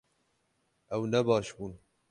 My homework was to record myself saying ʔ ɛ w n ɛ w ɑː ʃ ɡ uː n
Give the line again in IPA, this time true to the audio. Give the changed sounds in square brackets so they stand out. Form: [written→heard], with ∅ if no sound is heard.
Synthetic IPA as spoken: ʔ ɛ w n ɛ [w→b] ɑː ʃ [ɡ→b] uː n